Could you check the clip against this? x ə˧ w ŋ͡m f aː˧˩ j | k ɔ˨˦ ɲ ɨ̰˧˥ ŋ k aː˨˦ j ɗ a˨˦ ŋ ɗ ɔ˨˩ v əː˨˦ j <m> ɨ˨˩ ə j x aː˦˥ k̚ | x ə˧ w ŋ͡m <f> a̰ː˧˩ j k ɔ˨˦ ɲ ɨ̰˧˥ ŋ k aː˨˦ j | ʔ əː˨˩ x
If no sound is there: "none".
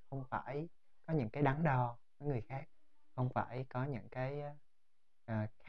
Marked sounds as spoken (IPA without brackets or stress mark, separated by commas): ŋ, f